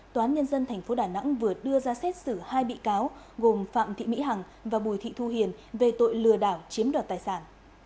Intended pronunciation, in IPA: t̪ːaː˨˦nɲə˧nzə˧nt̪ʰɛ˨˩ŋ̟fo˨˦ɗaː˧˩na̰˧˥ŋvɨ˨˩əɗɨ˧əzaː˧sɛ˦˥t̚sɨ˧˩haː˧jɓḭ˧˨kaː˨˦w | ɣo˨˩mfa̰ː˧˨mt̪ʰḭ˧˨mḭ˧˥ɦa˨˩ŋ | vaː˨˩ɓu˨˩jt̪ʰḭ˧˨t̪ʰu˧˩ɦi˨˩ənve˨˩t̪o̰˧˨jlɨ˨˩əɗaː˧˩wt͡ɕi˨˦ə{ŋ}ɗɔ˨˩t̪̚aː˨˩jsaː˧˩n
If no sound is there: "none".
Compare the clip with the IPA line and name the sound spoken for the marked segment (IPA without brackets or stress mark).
m